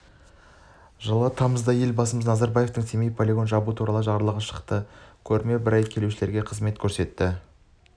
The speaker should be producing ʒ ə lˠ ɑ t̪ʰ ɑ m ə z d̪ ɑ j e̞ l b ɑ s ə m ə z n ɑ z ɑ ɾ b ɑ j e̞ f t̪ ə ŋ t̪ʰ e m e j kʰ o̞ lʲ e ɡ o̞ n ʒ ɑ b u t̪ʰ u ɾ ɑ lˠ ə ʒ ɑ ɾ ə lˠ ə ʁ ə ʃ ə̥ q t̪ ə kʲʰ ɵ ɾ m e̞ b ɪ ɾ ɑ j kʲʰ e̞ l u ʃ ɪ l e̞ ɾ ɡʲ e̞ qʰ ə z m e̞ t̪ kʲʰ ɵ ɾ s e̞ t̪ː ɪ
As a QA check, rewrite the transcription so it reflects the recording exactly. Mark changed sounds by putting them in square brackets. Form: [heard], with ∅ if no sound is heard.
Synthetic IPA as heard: ʒ ə lˠ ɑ t̪ʰ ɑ m ə z d̪ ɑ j e̞ l b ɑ s ə m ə z n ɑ z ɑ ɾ b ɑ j e̞ f t̪ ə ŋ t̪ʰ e m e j [pʰ] o̞ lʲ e ɡ o̞ n ʒ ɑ b u t̪ʰ u ɾ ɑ lˠ ə ʒ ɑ ɾ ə lˠ ə ʁ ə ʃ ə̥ q t̪ ə kʲʰ ɵ ɾ m e̞ b ɪ ɾ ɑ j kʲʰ e̞ l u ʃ ɪ l e̞ ɾ ɡʲ e̞ qʰ ə z m e̞ t̪ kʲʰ ɵ ɾ s e̞ t̪ː ɪ